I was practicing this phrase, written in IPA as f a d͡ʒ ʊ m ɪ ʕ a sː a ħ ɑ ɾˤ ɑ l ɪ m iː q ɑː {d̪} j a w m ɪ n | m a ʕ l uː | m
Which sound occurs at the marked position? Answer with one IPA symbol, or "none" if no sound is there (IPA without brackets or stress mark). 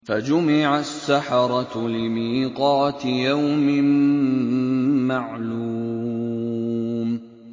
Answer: t̪